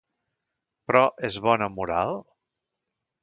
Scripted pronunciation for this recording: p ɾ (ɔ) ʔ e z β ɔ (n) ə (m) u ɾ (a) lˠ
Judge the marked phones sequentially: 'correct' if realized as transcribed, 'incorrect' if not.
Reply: correct, correct, correct, correct

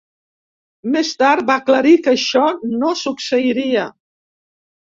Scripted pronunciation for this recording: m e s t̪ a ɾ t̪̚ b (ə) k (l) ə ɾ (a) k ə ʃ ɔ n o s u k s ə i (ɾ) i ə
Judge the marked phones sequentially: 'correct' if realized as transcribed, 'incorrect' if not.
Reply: incorrect: a, correct, incorrect: i, correct

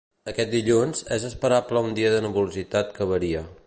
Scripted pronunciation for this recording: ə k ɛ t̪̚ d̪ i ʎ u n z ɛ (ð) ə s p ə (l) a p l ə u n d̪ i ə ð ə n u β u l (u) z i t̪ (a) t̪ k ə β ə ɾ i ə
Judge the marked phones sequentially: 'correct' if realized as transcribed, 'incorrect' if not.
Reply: incorrect: z, incorrect: ɾ, correct, correct

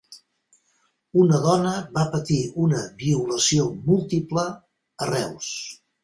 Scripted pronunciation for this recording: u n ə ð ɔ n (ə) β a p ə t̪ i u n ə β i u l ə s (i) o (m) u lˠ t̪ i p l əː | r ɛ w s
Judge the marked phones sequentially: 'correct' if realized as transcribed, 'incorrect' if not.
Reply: correct, correct, correct

